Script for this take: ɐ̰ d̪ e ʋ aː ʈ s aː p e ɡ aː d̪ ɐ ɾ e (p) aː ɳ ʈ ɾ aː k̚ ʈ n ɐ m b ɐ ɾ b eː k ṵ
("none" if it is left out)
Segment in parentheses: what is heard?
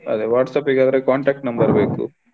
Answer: k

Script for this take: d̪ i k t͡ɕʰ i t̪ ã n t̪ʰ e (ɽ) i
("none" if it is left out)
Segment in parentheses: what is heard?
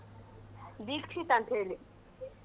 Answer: l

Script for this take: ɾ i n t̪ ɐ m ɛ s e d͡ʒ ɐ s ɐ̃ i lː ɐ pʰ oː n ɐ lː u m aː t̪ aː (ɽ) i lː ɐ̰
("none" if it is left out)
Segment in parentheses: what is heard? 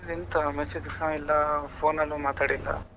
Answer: ɽ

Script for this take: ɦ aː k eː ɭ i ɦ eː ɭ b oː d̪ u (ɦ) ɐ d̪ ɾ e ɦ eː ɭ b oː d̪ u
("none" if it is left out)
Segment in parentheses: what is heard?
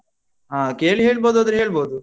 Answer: none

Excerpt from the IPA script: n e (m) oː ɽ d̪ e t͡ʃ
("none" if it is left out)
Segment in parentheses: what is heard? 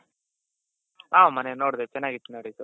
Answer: n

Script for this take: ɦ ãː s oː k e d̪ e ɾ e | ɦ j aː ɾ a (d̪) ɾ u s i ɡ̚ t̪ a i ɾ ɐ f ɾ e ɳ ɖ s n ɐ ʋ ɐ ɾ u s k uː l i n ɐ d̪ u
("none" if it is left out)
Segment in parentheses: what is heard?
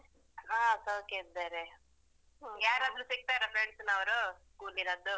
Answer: d̪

